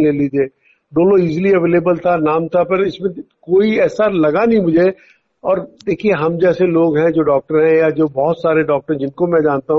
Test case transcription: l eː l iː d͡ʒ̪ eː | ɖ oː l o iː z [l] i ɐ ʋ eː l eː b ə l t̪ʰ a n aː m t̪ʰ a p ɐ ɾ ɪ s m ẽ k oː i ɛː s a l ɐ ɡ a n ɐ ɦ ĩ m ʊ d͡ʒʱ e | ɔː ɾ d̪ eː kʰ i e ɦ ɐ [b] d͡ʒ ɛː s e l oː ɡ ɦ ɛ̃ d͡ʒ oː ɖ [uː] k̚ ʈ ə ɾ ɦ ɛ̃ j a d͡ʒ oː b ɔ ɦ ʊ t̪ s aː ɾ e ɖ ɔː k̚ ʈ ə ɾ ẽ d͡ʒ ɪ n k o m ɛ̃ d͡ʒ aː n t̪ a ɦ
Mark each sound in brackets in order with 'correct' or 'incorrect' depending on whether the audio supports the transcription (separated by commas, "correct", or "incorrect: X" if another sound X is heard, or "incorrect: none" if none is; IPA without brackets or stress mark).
correct, incorrect: m, incorrect: ɔː